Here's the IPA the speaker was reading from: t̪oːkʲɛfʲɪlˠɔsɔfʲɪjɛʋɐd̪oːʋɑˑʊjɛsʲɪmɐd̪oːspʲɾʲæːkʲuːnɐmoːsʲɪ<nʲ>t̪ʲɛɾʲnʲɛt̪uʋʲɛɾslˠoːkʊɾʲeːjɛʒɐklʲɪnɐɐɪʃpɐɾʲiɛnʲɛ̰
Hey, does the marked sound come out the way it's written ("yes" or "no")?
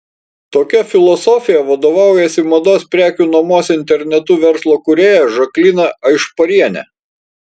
yes